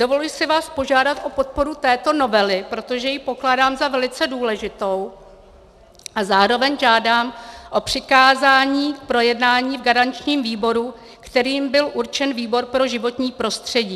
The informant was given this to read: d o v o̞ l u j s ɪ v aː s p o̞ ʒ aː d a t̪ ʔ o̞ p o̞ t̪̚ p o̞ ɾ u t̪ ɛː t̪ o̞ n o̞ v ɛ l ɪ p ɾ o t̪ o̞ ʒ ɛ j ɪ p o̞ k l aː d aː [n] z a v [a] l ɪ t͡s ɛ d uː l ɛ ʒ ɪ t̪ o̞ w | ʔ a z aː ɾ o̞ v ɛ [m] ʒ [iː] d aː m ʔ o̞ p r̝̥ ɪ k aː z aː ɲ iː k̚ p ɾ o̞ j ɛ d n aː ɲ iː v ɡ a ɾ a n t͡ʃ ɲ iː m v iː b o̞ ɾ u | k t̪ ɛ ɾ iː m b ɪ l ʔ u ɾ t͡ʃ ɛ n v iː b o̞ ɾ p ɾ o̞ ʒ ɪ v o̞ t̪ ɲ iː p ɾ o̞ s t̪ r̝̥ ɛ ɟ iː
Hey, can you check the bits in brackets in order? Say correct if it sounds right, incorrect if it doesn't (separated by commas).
incorrect, incorrect, incorrect, incorrect